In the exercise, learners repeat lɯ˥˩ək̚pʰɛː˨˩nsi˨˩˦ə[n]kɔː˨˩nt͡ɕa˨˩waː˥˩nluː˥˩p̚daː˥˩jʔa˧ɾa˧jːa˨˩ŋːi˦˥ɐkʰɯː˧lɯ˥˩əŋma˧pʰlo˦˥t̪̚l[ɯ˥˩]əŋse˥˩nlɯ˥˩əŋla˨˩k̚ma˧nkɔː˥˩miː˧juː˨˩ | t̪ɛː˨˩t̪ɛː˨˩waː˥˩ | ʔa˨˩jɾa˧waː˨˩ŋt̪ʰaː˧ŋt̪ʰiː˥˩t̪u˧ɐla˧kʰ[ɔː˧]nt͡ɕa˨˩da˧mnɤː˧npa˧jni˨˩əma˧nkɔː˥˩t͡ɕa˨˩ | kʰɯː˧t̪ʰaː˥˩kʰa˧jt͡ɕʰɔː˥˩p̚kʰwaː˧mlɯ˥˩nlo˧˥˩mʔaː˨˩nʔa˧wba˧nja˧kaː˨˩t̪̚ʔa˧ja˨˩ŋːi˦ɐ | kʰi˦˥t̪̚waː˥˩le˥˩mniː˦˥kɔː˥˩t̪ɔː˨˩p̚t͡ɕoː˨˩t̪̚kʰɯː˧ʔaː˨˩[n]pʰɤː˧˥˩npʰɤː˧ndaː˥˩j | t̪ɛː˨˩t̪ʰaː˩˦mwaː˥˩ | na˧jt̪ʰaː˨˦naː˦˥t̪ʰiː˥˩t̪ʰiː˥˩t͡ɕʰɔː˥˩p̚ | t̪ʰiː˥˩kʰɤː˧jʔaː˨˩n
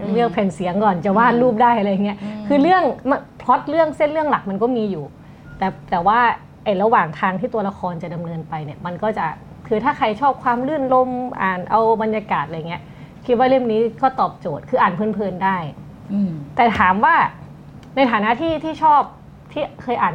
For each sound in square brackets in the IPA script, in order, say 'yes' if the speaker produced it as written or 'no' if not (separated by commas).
no, yes, yes, yes